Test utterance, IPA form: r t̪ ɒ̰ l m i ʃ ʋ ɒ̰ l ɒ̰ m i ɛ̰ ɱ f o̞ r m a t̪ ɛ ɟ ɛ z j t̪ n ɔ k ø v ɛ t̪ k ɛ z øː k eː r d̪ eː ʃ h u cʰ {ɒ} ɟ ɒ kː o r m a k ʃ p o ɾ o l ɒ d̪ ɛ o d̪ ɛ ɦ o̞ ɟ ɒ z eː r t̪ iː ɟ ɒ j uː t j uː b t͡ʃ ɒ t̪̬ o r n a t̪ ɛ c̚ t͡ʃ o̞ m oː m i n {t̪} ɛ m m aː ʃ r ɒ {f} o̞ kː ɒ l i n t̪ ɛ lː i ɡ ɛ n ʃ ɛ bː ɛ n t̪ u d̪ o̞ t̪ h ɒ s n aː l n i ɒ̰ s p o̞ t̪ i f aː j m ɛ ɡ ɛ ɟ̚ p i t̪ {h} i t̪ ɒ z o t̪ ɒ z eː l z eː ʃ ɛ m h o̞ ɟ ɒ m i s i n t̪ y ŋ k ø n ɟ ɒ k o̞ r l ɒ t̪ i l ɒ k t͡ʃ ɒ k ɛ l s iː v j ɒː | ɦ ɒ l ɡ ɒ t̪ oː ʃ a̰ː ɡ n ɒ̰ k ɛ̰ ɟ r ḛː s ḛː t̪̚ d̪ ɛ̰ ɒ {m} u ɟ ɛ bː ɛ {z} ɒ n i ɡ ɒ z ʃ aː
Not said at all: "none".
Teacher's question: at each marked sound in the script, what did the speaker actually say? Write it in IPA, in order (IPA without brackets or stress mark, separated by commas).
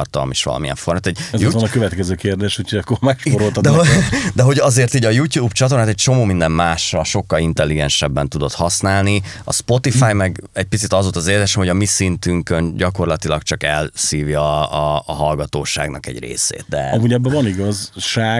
o, d̪, ʃ, s, m, v